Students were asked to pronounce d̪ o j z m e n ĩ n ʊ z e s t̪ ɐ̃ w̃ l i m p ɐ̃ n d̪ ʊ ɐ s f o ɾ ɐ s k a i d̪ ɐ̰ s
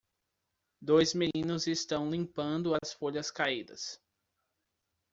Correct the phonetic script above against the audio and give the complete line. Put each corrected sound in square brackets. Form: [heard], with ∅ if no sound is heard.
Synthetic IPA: d̪ o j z m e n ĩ n ʊ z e s t̪ ɐ̃ w̃ l [ĩ] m p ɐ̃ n d̪ ʊ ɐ s f o [ʎ] ɐ s k a i d̪ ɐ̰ s